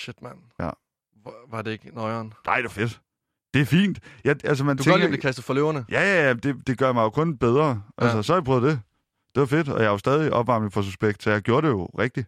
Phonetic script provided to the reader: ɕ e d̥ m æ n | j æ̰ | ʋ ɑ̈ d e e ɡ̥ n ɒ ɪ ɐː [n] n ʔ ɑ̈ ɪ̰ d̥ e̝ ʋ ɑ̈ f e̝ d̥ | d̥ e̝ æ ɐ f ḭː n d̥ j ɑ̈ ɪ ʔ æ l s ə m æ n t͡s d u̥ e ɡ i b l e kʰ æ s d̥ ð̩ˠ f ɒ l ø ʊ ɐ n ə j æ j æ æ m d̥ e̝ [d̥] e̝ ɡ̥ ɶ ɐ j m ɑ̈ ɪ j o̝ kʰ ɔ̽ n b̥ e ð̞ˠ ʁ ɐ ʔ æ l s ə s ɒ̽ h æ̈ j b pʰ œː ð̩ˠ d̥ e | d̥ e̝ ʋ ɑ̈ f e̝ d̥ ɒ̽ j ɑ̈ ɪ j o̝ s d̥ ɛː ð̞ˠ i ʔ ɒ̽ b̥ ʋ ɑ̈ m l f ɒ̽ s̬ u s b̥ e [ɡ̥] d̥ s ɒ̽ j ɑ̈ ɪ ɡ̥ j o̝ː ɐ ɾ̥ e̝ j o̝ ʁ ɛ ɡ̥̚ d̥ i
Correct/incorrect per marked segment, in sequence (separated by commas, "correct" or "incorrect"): correct, correct, correct